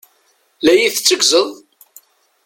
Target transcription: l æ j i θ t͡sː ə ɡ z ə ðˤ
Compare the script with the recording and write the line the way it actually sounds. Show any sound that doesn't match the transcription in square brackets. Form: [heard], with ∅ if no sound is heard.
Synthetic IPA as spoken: l æ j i θ t͡sː ə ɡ z ə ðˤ